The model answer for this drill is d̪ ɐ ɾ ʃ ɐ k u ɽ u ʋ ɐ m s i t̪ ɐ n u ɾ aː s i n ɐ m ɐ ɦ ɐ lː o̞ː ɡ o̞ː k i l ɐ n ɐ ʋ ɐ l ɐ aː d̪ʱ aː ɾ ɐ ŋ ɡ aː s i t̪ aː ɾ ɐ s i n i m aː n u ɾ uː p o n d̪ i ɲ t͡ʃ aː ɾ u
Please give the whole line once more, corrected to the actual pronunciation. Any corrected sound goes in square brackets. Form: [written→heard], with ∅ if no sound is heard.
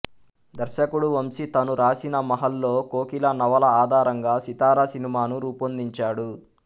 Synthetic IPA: d̪ ɐ ɾ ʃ ɐ k u ɽ u ʋ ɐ m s i t̪ ɐ n u ɾ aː s i n ɐ m ɐ ɦ ɐ lː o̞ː [ɡ→k] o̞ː k i l ɐ n ɐ ʋ ɐ l ɐ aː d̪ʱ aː ɾ ɐ ŋ ɡ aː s i t̪ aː ɾ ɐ s i n i m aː n u ɾ uː p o n d̪ i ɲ t͡ʃ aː [ɾ→ɽ] u

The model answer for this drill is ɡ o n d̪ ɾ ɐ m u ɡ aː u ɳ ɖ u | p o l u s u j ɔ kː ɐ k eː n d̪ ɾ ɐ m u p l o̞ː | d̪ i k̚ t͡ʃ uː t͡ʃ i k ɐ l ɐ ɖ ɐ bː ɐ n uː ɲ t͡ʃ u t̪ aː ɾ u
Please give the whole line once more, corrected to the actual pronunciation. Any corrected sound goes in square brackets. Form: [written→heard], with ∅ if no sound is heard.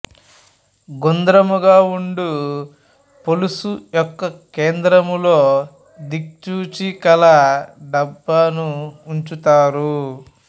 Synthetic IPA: ɡ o n d̪ ɾ ɐ m u ɡ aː u ɳ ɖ u | p o l u s u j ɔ kː ɐ k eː n d̪ ɾ ɐ m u [p→∅] l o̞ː | d̪ i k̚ t͡ʃ uː t͡ʃ i k ɐ l ɐ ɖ ɐ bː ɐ n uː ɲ t͡ʃ u t̪ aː ɾ u

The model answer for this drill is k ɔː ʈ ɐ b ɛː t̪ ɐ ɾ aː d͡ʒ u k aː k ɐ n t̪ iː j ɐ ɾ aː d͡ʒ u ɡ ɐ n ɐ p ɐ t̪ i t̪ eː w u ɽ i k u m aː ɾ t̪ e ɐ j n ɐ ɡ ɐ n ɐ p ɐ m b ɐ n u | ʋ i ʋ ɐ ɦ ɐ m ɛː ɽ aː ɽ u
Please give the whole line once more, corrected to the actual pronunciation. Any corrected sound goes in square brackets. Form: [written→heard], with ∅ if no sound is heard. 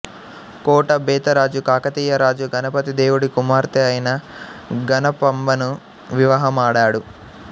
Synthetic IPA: k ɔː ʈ ɐ b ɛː t̪ ɐ ɾ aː d͡ʒ u k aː k ɐ [n→∅] t̪ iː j ɐ ɾ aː d͡ʒ u ɡ ɐ n ɐ p ɐ t̪ i [t̪→d̪] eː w u ɽ i k u m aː ɾ t̪ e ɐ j n ɐ ɡ ɐ n ɐ p ɐ m b ɐ n u | ʋ i ʋ ɐ ɦ ɐ m [ɛː→aː] ɽ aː ɽ u

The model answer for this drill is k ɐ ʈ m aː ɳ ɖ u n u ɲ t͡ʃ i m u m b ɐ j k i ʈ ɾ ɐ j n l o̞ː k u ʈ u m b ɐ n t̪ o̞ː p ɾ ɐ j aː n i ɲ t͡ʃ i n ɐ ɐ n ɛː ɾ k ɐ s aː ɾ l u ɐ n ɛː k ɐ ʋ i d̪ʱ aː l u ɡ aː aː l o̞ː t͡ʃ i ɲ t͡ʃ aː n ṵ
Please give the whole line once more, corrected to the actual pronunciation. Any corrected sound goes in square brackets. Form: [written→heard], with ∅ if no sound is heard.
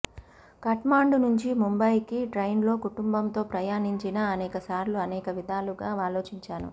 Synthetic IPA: k ɐ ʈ m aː ɳ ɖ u n u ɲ t͡ʃ i m u m b ɐ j k i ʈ ɾ ɐ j n l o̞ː k u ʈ u m b ɐ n t̪ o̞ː p ɾ ɐ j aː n i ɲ t͡ʃ i n ɐ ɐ n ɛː [ɾ→∅] k ɐ s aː ɾ l u ɐ n ɛː k ɐ ʋ i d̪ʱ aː l u ɡ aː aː l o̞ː t͡ʃ i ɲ t͡ʃ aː n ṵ

